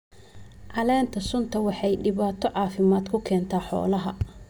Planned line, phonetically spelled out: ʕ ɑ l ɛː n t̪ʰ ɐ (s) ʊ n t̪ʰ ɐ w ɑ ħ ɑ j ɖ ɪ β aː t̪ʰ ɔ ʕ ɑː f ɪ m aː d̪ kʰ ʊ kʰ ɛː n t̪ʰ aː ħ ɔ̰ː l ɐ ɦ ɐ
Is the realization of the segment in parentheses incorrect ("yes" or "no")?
no